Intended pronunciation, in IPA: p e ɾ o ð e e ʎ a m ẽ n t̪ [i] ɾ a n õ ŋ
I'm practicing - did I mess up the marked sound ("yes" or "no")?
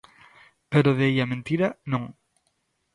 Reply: no